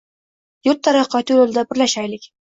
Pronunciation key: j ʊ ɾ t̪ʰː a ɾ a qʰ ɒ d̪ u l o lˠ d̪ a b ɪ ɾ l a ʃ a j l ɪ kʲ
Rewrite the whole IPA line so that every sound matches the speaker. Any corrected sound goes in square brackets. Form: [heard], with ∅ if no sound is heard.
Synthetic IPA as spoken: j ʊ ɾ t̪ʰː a ɾ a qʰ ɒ [t̪] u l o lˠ d̪ a b ɪ ɾ l a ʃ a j l ɪ kʲ